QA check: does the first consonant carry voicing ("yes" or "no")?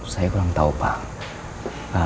no